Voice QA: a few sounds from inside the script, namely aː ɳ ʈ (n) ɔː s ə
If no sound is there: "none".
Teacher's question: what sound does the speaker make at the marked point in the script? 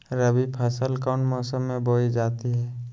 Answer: m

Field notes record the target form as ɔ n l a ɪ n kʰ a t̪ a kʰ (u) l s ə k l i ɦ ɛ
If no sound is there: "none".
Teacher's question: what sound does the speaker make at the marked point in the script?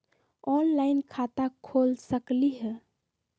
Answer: o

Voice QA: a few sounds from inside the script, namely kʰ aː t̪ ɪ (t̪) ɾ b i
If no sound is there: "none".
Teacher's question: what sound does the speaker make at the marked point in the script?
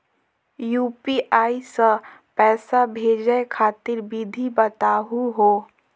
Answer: none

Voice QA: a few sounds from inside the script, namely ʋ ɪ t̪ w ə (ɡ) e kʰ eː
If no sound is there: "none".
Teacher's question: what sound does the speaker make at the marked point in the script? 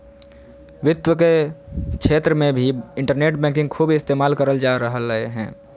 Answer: k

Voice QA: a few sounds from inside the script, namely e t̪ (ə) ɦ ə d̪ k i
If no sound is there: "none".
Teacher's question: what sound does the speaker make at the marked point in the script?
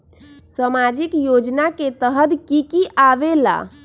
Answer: ə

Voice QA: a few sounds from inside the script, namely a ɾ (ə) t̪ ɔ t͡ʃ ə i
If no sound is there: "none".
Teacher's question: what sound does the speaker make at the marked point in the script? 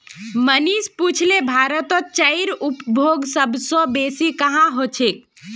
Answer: ə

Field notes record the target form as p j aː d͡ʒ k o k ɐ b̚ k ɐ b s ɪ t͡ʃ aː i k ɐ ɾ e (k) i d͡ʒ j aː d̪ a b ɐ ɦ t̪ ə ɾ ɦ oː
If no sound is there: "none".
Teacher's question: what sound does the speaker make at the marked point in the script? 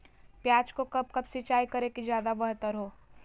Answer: k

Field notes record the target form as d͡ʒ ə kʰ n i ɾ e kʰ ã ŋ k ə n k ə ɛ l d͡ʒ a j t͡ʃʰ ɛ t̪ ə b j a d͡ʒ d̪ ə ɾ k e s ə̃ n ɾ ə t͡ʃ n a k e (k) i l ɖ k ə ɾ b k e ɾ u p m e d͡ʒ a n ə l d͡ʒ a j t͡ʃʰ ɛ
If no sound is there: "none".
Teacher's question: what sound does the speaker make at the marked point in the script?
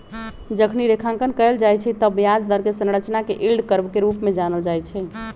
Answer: ʔ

